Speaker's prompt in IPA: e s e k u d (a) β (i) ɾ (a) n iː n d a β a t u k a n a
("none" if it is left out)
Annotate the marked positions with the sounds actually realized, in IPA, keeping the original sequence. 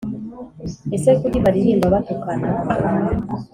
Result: i, a, i

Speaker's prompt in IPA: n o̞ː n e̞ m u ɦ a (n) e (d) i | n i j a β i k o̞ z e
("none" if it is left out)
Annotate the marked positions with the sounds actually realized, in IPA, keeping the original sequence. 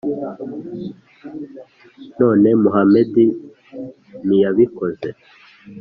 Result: m, d

